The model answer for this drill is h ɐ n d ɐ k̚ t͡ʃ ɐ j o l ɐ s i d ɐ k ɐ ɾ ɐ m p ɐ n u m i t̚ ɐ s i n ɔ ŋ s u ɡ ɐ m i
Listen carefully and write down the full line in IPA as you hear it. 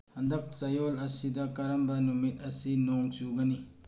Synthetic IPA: h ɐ n d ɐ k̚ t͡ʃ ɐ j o l ɐ s i d ɐ k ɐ ɾ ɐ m b ɐ n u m i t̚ ɐ s i n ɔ ŋ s u ɡ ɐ n i